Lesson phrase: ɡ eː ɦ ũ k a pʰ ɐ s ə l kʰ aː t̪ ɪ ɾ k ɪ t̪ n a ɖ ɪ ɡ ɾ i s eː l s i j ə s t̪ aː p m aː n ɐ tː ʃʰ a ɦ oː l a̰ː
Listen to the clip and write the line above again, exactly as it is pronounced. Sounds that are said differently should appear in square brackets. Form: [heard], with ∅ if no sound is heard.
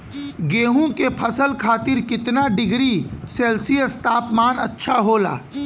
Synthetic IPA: ɡ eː ɦ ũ k [e] pʰ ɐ s ə l kʰ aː t̪ ɪ ɾ k ɪ t̪ n a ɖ ɪ ɡ ɾ i s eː l s i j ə s t̪ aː p m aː n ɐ tː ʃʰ a ɦ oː l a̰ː